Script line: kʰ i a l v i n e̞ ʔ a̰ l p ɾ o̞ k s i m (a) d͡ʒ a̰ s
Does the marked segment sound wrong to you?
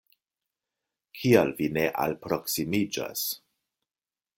yes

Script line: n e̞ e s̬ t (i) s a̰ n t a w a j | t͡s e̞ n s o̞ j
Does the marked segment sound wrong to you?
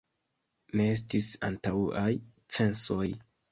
no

